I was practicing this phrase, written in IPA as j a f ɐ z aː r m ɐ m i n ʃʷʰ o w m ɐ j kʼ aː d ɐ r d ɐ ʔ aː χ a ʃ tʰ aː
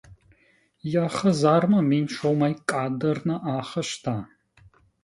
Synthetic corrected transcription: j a χ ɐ z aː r m ɐ m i n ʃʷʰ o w m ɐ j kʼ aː d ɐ r n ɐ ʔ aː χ ɐ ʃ tʰ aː